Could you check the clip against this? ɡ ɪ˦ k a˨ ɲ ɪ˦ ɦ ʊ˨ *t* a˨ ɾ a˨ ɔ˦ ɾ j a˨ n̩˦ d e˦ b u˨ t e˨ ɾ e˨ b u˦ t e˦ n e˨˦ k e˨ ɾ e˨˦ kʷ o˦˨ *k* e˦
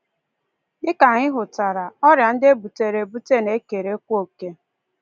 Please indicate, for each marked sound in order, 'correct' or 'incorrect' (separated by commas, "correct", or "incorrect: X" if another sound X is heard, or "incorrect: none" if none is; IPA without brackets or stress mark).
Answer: correct, correct